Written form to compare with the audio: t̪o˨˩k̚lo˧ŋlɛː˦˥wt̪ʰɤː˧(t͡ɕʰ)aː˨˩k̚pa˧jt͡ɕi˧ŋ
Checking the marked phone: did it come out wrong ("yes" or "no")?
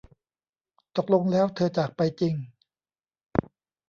yes